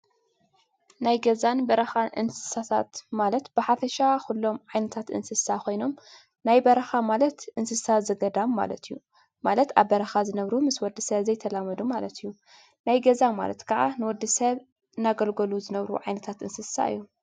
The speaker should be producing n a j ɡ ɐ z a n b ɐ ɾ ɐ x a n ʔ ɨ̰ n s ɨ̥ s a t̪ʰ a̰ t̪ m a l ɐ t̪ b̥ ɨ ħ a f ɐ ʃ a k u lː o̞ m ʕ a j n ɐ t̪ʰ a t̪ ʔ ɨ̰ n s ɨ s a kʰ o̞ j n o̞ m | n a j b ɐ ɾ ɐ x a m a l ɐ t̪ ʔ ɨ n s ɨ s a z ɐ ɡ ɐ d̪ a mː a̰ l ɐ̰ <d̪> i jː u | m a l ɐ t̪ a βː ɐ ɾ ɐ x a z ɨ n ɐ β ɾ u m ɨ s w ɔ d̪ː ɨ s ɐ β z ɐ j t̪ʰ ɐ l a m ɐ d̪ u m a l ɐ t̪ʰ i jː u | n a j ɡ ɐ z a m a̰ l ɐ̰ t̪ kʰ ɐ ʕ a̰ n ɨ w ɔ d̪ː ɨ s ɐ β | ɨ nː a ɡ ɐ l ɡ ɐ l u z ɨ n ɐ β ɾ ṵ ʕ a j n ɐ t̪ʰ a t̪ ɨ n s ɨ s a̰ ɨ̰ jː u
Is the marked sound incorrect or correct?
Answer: incorrect: t̪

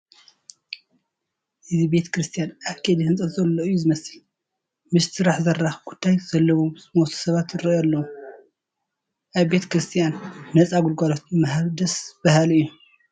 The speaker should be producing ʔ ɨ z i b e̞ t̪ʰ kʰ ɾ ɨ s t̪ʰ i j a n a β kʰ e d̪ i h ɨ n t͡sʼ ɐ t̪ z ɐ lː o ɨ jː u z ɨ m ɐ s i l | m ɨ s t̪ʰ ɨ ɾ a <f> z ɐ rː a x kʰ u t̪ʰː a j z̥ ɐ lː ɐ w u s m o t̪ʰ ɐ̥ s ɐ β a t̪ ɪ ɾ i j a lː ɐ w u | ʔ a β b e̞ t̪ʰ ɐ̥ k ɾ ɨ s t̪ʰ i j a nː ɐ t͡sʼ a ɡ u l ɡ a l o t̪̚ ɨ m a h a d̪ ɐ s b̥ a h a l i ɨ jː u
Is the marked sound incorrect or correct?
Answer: incorrect: ħ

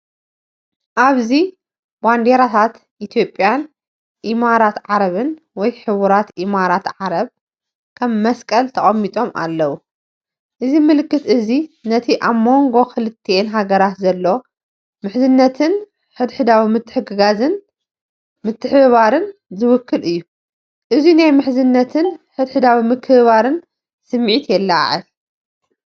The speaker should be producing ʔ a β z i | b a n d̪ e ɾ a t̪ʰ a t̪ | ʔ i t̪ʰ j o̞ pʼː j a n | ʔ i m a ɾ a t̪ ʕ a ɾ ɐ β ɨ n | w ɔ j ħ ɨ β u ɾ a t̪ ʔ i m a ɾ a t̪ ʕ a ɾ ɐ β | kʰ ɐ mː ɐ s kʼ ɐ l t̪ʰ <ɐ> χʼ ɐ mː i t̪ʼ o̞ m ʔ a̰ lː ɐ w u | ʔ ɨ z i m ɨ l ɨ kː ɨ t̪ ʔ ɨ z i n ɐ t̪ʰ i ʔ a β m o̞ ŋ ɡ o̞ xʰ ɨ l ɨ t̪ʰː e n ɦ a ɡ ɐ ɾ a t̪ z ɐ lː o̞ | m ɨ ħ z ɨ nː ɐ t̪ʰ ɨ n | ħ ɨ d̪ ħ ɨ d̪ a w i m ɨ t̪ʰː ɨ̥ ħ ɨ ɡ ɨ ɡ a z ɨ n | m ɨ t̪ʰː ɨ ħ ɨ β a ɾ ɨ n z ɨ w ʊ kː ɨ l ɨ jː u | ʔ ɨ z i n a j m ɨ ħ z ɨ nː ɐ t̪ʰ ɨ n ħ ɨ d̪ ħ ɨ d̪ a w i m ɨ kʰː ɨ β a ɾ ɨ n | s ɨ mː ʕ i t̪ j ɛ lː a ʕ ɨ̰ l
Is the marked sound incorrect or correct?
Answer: correct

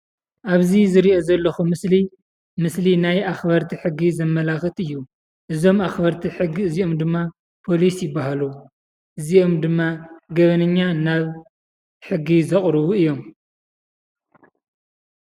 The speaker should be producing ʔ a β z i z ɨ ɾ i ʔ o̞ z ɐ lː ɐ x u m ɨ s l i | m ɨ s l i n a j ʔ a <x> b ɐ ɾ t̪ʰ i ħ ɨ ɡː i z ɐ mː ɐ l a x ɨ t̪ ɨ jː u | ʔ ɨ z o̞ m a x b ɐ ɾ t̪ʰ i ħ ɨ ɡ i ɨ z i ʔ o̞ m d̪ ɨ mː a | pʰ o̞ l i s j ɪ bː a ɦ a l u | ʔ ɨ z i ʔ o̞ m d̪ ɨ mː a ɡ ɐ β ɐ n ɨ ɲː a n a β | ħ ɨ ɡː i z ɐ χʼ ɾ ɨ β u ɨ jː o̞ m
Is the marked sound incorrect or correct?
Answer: correct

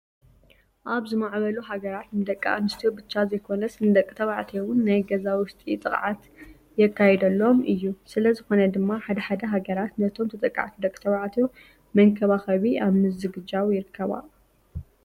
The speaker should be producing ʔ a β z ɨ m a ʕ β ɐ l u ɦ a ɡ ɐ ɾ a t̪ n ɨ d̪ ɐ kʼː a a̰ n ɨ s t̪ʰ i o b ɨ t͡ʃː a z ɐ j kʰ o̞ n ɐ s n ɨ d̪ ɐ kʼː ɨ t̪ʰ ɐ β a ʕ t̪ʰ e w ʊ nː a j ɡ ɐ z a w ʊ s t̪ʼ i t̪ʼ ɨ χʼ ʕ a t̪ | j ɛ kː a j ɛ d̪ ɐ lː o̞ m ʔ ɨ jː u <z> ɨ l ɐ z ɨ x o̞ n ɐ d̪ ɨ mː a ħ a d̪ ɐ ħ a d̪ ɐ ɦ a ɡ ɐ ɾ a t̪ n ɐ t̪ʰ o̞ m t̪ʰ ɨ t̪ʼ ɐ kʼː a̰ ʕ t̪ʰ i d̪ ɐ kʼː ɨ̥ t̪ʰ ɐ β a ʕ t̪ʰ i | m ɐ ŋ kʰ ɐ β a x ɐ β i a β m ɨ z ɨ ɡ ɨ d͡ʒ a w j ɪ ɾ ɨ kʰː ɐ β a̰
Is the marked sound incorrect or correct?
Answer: incorrect: s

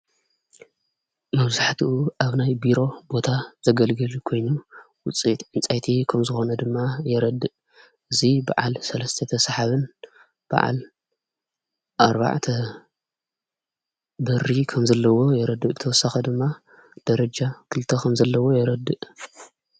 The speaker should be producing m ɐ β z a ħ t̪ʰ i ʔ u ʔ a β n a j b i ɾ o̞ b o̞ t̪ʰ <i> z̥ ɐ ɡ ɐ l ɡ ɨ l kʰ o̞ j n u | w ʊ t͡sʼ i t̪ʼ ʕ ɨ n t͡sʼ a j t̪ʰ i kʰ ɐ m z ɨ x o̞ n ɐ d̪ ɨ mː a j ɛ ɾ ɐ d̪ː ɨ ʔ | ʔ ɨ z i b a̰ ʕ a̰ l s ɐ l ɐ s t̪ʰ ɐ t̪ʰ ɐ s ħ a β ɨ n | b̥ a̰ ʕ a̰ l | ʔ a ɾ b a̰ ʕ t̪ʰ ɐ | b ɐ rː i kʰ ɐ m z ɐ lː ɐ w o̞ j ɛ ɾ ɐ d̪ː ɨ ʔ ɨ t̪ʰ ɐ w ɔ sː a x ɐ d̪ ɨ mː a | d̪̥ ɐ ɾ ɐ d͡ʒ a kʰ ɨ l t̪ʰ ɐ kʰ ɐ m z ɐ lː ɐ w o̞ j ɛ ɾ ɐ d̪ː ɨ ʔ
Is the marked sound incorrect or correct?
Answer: incorrect: a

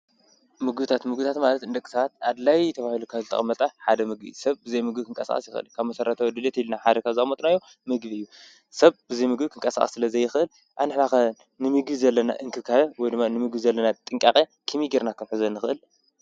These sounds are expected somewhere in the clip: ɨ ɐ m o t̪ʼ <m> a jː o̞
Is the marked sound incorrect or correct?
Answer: incorrect: n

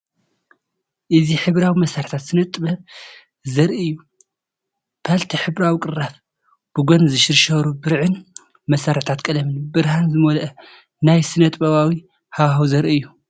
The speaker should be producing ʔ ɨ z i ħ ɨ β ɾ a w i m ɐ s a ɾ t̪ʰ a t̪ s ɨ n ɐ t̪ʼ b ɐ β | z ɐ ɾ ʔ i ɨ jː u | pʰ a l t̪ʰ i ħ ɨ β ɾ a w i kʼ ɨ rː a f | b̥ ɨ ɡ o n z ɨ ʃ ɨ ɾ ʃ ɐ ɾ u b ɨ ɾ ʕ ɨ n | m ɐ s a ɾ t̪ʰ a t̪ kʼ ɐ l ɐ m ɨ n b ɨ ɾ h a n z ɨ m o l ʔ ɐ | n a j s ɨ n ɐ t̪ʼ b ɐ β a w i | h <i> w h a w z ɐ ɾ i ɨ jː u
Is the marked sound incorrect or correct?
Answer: incorrect: a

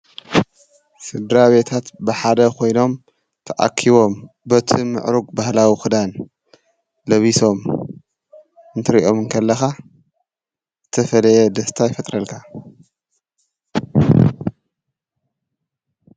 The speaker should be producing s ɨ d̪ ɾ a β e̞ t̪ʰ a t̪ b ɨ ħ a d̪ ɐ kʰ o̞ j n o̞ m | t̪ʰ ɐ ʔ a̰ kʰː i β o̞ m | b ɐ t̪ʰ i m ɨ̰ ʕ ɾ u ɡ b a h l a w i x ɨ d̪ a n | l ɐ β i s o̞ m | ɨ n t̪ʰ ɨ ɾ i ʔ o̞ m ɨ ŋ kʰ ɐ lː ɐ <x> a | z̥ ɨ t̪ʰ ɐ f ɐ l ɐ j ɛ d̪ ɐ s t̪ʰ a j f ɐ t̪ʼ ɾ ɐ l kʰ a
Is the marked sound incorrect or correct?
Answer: correct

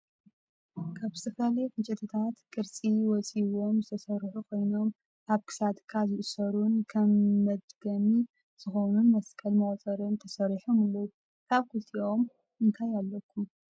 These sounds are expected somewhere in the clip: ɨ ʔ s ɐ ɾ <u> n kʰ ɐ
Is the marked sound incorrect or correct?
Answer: correct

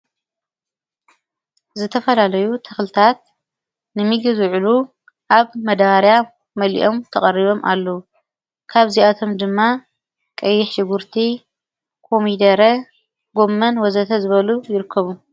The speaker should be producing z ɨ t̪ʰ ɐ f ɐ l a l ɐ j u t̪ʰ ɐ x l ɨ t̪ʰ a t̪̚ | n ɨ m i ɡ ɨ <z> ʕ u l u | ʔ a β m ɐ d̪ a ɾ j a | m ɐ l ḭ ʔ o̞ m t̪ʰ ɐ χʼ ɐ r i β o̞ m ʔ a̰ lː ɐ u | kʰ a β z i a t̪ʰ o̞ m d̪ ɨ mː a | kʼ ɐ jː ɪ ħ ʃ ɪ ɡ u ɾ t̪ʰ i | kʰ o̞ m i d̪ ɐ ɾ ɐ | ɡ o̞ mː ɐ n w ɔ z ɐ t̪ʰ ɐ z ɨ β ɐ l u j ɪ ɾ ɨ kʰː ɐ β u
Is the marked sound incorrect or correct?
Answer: correct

